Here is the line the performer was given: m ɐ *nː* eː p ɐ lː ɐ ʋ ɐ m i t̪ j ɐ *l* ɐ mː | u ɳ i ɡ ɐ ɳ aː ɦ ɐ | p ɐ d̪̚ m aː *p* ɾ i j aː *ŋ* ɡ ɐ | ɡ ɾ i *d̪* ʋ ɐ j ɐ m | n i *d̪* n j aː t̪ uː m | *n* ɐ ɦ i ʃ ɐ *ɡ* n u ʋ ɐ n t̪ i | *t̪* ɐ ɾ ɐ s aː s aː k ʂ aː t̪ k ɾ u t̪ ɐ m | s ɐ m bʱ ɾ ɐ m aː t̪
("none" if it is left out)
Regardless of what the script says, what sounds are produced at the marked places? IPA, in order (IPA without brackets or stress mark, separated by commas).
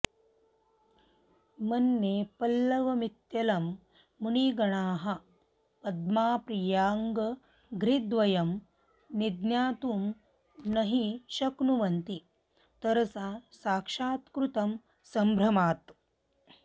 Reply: nː, l, p, ŋ, d̪, d̪, n, k, t̪